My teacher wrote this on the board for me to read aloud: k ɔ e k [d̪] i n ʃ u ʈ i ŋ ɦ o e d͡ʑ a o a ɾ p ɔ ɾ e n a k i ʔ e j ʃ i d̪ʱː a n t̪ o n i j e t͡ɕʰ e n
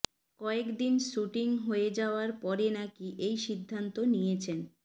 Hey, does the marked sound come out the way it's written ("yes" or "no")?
yes